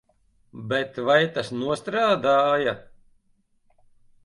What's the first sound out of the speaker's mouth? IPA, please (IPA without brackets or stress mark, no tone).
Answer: b